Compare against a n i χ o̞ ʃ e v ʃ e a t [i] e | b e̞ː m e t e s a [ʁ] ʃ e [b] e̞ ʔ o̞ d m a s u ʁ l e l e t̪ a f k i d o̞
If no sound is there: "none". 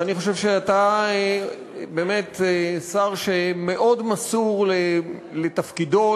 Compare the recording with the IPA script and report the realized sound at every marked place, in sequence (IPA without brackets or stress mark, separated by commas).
a, ʁ, m